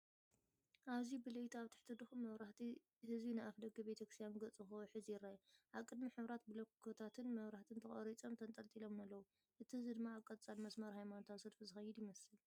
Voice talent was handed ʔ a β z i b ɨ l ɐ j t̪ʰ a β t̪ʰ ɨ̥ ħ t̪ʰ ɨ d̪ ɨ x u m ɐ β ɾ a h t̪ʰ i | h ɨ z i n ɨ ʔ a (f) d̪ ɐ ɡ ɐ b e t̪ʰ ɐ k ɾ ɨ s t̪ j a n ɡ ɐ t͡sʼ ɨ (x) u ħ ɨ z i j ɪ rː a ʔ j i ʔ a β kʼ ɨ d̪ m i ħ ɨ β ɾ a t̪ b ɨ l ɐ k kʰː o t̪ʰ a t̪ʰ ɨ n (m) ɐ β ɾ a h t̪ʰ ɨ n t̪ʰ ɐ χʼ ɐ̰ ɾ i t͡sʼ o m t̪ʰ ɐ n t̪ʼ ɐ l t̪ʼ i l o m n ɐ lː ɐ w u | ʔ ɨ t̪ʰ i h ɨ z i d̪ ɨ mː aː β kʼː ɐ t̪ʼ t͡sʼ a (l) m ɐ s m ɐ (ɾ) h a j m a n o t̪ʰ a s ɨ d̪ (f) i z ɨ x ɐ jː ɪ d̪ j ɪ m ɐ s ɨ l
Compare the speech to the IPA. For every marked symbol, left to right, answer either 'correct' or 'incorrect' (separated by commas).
correct, correct, correct, correct, correct, correct